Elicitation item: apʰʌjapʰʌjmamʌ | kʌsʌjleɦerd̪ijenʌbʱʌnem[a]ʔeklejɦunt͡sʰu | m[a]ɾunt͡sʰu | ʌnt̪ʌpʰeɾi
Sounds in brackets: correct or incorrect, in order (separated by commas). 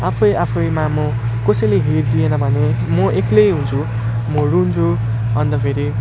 incorrect, incorrect